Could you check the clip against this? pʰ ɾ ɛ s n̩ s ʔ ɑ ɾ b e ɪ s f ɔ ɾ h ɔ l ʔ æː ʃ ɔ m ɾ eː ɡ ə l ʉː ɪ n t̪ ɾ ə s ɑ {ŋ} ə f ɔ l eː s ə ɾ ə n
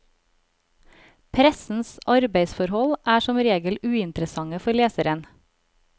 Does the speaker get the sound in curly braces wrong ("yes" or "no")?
no